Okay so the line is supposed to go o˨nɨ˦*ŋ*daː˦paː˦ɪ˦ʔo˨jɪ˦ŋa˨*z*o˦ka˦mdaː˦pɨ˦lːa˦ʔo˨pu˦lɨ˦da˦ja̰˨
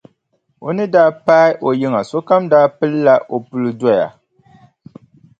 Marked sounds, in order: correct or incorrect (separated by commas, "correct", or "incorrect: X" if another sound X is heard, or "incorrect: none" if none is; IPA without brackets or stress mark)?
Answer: incorrect: none, incorrect: s